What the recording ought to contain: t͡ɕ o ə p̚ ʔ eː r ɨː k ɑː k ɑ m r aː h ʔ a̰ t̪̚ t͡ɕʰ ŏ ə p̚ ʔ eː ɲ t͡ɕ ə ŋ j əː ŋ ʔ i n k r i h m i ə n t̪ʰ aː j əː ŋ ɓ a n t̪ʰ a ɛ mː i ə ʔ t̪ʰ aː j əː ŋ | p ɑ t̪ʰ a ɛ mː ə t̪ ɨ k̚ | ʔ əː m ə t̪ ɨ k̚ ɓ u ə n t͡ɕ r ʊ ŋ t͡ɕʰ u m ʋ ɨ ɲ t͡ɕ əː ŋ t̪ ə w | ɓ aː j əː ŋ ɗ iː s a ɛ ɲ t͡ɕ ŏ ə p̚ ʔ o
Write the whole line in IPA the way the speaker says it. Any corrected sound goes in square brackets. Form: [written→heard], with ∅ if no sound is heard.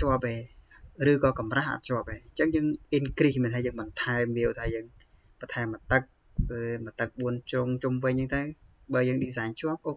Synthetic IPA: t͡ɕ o ə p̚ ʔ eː r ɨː k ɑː k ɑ m r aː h ʔ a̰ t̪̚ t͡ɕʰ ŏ ə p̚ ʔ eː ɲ t͡ɕ ə ŋ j əː ŋ ʔ i n k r i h m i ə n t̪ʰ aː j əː ŋ ɓ [a→ɑ] n t̪ʰ a ɛ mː i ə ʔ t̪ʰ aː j əː ŋ | p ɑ t̪ʰ a ɛ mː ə t̪ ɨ k̚ | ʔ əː m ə t̪ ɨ k̚ ɓ u ə n t͡ɕ r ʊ ŋ [t͡ɕʰ→t͡ɕ] u m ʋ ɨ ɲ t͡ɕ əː ŋ t̪ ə w | ɓ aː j əː ŋ ɗ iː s a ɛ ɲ t͡ɕ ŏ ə p̚ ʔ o